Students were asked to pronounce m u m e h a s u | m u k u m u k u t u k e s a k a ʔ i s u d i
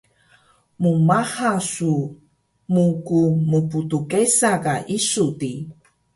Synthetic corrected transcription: m u m a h a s u | m u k u m u p u t u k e s a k a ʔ i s u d i